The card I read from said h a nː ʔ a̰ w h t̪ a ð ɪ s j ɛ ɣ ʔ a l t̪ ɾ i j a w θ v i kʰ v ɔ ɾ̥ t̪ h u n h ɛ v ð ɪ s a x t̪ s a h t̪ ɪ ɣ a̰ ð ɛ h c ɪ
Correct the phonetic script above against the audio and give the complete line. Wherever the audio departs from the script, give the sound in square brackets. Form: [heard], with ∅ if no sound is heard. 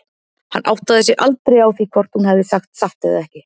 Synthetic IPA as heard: h a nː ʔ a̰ w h t̪ a ð ɪ s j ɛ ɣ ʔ a l t̪ ɾ [e] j a w θ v i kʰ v ɔ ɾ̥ t̪ h u n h ɛ v ð ɪ s a x t̪ s a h t̪ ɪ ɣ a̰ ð ɛ h c ɪ

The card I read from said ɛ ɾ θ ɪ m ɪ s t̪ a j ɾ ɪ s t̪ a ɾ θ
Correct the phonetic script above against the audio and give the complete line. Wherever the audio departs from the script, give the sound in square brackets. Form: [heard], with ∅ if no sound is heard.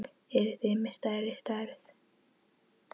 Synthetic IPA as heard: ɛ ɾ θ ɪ m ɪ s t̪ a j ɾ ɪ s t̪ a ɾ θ

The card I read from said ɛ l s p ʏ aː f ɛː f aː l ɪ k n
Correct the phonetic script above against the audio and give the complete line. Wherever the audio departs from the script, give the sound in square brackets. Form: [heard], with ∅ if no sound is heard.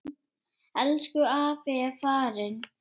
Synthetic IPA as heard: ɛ l s [k] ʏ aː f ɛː f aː [ɾ] ɪ [∅] n

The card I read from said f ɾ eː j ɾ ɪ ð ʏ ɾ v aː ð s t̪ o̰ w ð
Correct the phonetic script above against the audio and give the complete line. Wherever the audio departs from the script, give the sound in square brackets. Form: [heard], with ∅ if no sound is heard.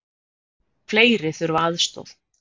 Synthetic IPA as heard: f [l] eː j ɾ ɪ [θ] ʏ ɾ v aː ð s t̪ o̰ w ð

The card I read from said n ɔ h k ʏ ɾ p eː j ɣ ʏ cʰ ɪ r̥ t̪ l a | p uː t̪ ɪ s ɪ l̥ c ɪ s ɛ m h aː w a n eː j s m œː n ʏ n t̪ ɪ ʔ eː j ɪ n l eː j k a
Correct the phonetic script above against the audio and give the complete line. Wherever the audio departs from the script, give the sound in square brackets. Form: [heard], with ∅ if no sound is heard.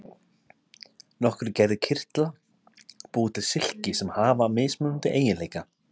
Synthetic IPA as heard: n ɔ h k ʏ ɾ [c] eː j [ð] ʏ cʰ ɪ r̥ t̪ l a | p uː t̪ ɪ s ɪ l̥ c ɪ s ɛ m h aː [v] a [m] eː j s m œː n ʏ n t̪ ɪ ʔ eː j ɪ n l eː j k a

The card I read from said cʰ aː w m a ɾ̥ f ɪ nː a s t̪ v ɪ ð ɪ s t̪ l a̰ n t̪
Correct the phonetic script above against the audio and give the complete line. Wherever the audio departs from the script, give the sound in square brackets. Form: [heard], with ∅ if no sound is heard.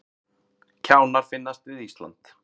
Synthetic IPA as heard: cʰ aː w [n] a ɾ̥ f ɪ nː a s t̪ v ɪ ð [i] s t̪ l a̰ n t̪

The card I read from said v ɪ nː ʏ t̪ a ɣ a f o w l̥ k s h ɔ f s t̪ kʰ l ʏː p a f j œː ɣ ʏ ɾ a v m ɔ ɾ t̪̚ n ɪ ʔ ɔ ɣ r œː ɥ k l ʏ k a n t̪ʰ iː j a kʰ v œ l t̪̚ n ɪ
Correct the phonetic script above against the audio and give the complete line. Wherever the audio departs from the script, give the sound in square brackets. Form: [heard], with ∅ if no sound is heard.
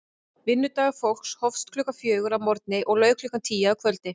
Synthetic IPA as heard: v ɪ nː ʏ t̪ a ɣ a f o w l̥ k s h ɔ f s t̪ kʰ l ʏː [k] a f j œː ɣ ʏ ɾ a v m ɔ ɾ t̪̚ n ɪ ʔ ɔ ɣ [l] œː ɥ k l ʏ k a n t̪ʰ iː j a kʰ v œ l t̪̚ n ɪ

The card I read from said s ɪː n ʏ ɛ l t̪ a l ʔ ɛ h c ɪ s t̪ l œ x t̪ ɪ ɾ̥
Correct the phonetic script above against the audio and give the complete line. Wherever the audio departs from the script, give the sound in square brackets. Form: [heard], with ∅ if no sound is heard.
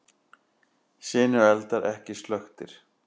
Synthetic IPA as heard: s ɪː n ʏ ɛ l t̪ a [ɾ] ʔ ɛ h c ɪ s t̪ l œ x t̪ ɪ ɾ̥

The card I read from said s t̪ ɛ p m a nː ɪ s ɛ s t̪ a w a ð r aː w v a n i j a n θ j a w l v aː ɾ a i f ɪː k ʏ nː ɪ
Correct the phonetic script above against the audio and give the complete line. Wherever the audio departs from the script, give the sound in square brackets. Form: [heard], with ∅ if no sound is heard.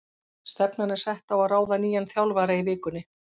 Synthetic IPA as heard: s t̪ ɛ p [n] a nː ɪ s ɛ [h] t̪ a w a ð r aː w [ð] a n [iː] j a n θ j a w l v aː ɾ a i [v] ɪː k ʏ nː ɪ

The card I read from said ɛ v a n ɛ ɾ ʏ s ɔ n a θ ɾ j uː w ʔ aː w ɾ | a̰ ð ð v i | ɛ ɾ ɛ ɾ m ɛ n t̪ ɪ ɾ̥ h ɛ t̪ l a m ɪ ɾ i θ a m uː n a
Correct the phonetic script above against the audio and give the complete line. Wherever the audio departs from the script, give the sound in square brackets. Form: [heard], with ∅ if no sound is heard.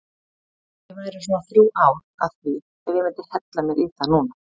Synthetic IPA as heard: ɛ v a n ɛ ɾ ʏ s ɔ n a θ ɾ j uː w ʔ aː w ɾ | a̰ ð [θ] v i | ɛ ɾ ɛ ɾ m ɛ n t̪ ɪ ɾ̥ h ɛ t̪ l a m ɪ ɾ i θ a [n] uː n a

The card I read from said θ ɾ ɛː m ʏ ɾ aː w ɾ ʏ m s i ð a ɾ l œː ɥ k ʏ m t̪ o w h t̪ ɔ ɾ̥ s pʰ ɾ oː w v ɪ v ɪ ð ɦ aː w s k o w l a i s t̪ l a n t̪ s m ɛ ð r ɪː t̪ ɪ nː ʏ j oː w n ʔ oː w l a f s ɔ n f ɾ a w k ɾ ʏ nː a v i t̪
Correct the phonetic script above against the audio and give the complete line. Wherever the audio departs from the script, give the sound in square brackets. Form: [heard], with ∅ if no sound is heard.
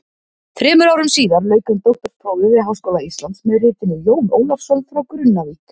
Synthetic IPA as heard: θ ɾ ɛː m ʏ ɾ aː w ɾ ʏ m s [iː] ð a ɾ l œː ɥ k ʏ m t̪ o w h t̪ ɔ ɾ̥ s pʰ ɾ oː w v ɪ v ɪ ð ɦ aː w s k o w l a i s t̪ l a n t̪ s m ɛ ð r ɪː t̪ ɪ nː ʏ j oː w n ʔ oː w l a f s ɔ n f ɾ a w k ɾ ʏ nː a v i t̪

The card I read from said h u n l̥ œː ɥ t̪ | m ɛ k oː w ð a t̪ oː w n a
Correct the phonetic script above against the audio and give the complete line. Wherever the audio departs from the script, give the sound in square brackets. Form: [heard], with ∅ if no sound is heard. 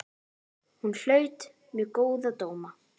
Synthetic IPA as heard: h u n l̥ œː ɥ t̪ | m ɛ k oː w ð a t̪ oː w [m] a

